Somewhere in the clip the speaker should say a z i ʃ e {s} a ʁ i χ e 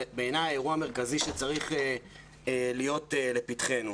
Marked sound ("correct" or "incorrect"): incorrect